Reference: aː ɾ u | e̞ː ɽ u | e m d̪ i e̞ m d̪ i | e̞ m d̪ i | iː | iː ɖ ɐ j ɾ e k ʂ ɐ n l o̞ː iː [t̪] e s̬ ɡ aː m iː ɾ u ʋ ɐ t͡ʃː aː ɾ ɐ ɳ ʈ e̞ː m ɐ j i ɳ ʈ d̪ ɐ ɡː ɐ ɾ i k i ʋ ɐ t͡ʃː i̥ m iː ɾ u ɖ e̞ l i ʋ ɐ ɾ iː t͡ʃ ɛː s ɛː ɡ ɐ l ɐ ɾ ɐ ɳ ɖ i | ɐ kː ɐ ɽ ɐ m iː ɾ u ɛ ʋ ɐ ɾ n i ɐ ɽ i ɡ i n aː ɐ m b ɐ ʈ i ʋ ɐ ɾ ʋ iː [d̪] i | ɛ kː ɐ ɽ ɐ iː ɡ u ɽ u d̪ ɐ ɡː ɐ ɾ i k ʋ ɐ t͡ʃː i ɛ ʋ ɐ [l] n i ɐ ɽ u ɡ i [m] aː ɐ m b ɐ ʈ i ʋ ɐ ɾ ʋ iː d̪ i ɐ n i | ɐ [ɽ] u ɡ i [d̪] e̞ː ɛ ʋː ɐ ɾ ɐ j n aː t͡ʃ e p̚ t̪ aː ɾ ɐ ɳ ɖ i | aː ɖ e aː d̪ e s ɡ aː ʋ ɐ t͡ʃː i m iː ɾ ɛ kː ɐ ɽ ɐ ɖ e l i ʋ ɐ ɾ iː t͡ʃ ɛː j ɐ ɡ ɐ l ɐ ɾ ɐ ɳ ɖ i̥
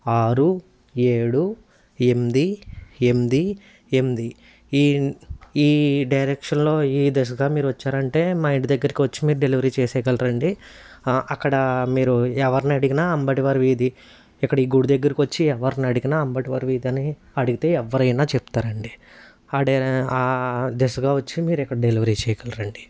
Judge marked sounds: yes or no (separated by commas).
no, yes, no, no, yes, no